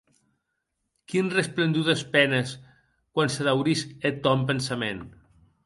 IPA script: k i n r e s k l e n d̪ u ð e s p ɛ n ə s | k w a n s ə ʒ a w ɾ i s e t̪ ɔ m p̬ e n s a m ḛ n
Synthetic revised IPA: k i n r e s p l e n d̪ u ð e s p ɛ n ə s | k w a n s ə ð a w ɾ i s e t̪ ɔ m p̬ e n s a m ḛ n